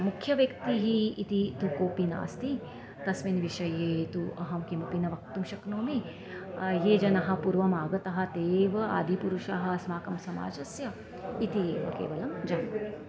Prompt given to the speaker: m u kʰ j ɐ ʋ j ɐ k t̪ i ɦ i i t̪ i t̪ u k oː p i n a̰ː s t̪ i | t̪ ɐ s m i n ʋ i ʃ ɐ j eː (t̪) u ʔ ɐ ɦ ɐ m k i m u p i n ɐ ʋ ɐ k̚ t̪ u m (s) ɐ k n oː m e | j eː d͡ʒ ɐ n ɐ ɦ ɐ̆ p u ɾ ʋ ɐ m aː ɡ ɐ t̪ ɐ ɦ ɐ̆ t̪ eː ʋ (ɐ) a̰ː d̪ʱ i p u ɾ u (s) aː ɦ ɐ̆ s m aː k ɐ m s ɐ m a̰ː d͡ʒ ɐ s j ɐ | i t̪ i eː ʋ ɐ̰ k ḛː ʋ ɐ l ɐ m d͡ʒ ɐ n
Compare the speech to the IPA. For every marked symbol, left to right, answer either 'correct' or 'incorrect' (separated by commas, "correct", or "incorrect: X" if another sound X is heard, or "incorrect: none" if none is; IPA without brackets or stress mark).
correct, incorrect: ʃ, correct, incorrect: ʃ